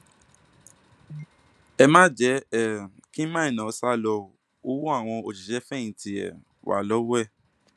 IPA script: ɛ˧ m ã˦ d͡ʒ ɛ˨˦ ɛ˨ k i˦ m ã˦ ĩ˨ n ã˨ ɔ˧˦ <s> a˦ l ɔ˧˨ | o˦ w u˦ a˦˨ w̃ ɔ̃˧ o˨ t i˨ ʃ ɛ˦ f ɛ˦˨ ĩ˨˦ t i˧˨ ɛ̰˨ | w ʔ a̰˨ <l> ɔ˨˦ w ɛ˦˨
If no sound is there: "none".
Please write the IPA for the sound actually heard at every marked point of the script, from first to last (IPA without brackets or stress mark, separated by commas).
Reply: s, l